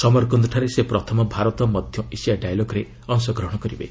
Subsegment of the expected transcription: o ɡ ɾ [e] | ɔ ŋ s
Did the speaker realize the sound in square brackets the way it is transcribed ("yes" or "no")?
yes